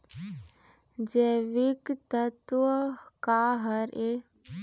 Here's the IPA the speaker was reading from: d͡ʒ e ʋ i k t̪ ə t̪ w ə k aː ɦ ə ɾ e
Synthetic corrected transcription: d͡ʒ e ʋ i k t̪ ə t̪ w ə k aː ɦ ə ɾ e